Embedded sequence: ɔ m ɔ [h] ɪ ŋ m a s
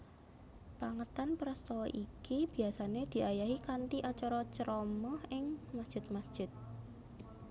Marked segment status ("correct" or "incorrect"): correct